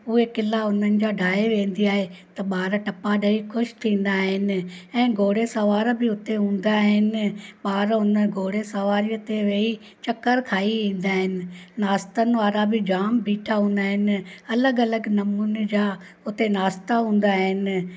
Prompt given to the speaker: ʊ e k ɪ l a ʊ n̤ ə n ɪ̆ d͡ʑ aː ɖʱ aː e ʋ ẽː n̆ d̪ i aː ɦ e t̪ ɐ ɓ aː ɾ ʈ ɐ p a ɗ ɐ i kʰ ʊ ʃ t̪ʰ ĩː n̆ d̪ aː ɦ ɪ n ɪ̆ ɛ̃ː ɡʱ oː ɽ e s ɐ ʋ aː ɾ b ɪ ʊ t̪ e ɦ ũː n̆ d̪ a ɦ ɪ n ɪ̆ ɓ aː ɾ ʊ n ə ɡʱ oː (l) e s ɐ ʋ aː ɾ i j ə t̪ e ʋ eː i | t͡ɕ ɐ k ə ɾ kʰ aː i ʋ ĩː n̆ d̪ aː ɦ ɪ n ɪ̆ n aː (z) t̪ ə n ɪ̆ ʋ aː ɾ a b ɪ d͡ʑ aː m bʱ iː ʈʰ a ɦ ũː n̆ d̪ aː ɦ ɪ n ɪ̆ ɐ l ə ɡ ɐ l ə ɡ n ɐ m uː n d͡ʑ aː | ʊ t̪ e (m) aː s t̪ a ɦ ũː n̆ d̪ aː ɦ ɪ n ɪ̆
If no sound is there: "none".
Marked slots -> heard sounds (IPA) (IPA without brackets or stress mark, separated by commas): ɽ, s, n